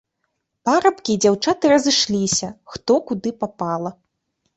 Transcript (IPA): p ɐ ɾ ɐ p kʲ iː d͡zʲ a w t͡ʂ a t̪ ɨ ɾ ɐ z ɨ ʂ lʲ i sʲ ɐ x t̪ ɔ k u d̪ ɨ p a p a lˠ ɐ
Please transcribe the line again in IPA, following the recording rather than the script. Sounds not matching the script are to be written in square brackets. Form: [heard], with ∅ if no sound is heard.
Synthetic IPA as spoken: p [a] ɾ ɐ p kʲ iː d͡zʲ a w t͡ʂ a t̪ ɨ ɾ ɐ z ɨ ʂ lʲ i sʲ ɐ x t̪ ɔ k u d̪ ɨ p a p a lˠ ɐ